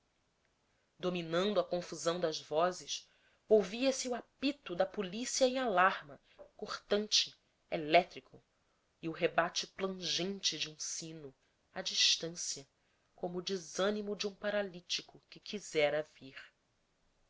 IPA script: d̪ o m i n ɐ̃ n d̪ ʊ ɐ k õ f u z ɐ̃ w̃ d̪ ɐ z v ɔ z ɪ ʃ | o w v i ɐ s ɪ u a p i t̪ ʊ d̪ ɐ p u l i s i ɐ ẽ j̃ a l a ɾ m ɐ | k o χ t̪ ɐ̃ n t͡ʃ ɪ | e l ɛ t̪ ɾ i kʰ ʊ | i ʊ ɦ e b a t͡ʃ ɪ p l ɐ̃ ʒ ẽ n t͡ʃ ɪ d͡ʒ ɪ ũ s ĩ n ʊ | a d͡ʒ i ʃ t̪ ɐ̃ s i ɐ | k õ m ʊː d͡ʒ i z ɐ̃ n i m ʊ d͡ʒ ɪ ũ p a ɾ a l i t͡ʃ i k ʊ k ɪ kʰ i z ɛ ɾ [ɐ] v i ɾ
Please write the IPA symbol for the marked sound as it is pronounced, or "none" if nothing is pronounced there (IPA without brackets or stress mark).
ɐ